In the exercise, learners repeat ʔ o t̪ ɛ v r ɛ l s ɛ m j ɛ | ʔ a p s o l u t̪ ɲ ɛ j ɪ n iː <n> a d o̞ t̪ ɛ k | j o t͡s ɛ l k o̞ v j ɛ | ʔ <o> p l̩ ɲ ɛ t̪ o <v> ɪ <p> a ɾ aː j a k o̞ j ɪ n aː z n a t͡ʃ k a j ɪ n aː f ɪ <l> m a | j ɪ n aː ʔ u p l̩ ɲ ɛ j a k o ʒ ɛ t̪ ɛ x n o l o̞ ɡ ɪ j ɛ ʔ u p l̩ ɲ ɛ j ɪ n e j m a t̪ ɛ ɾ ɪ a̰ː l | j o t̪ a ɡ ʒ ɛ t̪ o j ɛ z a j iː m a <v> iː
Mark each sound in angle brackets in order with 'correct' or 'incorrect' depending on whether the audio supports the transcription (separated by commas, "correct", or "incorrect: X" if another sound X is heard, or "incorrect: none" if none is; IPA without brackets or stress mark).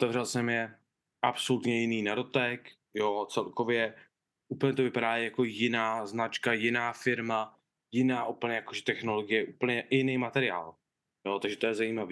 correct, incorrect: u, correct, correct, incorrect: ɾ, correct